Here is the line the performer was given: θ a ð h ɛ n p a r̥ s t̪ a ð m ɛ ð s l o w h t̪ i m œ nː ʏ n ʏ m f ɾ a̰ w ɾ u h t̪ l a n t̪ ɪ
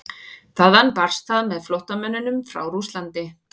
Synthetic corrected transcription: θ a ð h a n p a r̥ s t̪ a ð m ɛ ð f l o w h t̪ a m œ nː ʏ n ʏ m f ɾ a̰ w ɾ u s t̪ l a n t̪ ɪ